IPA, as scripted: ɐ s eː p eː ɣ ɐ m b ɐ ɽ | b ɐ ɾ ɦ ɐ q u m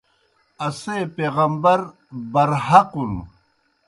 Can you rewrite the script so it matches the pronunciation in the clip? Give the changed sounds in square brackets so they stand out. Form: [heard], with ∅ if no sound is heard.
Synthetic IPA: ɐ s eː p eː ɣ ɐ m b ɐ [ɾ] | b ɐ ɾ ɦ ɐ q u [n]

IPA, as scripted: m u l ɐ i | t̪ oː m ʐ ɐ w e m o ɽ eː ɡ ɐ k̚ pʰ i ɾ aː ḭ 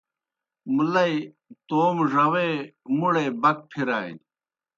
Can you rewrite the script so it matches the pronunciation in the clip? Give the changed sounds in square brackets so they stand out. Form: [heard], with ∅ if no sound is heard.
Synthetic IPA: m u l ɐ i | t̪ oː m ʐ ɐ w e m [u] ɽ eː [b] ɐ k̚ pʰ i ɾ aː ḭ

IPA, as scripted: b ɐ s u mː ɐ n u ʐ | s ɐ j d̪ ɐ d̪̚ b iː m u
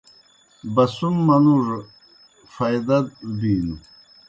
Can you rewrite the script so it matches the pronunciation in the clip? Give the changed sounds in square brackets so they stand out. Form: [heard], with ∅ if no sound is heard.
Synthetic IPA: b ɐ s u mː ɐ n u ʐ | [f] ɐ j d̪ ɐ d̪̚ b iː [n] u

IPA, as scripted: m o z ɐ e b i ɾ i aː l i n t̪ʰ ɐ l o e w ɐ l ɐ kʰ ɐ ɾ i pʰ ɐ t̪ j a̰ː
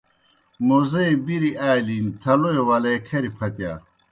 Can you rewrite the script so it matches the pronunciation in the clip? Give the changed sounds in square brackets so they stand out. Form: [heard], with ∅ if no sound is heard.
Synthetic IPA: m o z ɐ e b i ɾ i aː l i n t̪ʰ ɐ l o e w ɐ l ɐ kʰ ɐ ɾ i pʰ ɐ t̪ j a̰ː

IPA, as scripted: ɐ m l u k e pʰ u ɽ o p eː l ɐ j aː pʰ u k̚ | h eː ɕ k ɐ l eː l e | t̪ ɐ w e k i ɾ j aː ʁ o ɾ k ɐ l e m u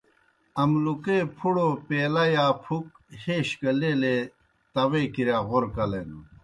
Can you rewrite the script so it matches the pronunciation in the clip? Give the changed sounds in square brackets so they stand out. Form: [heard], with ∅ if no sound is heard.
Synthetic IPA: ɐ m l u k e pʰ u ɽ o p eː l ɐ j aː pʰ u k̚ | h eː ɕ k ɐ l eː l e | t̪ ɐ w e k i ɾ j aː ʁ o ɾ k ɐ l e [n] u

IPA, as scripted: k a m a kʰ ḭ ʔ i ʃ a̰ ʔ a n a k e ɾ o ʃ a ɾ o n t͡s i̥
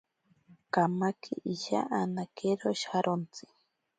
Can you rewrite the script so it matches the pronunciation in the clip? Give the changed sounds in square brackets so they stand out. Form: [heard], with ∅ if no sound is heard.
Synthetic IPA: k a m a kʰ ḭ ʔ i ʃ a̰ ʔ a n a k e ɾ o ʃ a ɾ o n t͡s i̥

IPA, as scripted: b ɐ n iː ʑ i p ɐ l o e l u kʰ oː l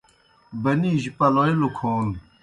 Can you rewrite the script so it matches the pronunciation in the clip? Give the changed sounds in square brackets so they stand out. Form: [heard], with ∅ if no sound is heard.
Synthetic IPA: b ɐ n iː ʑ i p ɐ l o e l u kʰ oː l

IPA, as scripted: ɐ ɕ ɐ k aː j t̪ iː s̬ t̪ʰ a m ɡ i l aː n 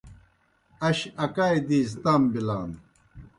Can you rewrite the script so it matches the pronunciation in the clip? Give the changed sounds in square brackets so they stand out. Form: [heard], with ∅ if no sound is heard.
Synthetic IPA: ɐ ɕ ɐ k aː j [d̪] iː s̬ [t̪] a m [b] i l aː n

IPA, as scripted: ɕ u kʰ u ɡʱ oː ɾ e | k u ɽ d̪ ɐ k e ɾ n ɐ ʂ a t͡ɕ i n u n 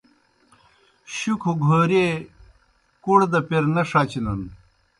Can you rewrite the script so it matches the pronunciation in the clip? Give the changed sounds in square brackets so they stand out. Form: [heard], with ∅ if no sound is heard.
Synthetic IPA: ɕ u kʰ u ɡʱ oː ɾ e | k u ɽ d̪ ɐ [p] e ɾ n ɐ ʂ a t͡ɕ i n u n

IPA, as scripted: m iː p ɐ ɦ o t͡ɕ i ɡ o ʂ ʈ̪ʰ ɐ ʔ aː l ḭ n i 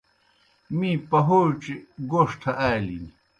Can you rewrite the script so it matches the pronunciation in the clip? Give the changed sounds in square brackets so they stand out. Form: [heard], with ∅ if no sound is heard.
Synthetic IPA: m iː p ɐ ɦ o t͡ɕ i ɡ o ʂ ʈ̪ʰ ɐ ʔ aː l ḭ n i

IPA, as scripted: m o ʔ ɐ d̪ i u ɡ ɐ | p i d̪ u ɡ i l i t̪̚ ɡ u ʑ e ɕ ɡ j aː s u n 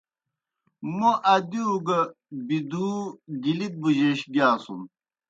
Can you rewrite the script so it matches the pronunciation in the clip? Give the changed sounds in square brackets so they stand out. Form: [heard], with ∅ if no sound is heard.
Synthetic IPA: m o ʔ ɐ d̪ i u ɡ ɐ | [b] i d̪ u ɡ i l i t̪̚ [b] u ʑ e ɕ ɡ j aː s u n

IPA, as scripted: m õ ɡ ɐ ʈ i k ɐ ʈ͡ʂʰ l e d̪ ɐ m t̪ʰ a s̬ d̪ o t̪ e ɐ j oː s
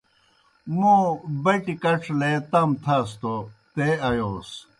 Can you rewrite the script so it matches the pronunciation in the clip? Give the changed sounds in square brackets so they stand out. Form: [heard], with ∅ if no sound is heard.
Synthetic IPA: m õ [b] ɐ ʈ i k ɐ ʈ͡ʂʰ l e [t̪] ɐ m t̪ʰ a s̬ [t̪] o t̪ e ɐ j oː s

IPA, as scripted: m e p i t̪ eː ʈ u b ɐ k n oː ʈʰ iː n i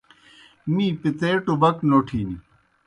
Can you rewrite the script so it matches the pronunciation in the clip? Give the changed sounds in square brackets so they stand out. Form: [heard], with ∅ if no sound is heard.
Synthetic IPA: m [i] p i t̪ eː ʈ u b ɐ k n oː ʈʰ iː n i

